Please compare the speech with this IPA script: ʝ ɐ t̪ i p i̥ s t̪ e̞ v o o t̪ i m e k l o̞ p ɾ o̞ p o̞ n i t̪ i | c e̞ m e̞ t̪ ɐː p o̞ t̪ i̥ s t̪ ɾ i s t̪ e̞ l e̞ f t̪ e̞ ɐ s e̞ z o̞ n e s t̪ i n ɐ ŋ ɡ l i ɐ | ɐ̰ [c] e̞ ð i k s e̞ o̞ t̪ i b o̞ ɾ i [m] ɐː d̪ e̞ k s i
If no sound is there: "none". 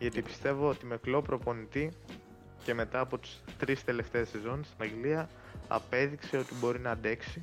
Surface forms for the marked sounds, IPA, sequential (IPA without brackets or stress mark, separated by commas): p, n